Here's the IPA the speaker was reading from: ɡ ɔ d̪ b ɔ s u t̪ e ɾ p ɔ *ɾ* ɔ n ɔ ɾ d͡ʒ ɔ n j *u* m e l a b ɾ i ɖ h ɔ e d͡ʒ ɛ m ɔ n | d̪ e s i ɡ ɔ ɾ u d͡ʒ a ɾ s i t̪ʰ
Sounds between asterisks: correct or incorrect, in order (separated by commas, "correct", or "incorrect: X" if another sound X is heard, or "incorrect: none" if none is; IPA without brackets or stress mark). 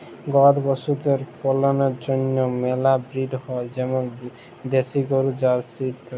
incorrect: l, incorrect: ɔ